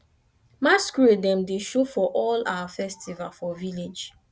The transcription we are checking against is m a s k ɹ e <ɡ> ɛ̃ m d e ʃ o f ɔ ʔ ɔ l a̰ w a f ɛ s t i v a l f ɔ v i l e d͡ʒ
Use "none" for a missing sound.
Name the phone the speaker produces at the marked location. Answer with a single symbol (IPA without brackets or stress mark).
d